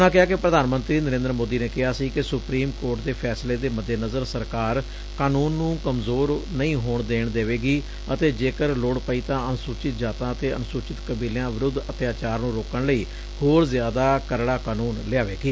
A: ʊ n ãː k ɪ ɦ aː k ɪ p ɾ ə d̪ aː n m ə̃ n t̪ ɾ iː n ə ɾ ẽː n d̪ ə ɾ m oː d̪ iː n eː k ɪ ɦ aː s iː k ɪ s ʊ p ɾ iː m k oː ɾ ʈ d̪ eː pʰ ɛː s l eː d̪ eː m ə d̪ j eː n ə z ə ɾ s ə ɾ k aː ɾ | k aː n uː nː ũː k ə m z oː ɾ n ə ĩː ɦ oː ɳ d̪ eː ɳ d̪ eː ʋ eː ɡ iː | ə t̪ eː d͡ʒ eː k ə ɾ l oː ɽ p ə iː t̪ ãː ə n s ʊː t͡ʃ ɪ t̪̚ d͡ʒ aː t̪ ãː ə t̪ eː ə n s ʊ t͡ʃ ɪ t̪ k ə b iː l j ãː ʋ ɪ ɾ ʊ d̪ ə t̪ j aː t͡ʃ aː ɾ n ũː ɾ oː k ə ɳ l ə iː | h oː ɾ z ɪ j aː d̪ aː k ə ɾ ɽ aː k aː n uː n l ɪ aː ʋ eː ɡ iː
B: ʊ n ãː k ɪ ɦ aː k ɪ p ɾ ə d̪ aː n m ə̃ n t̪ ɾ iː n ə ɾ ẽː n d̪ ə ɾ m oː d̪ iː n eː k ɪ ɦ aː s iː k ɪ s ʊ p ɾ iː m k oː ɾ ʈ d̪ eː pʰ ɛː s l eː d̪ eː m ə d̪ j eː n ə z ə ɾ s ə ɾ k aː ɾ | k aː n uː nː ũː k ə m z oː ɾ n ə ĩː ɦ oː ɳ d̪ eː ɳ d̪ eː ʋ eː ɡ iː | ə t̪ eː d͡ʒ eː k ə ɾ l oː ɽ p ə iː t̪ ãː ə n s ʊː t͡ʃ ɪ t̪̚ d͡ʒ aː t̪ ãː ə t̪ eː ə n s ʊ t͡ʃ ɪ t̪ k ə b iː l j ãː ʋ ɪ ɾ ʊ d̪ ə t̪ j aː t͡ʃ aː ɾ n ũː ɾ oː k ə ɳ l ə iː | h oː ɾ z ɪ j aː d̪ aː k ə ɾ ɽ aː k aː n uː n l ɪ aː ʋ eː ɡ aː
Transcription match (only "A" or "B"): A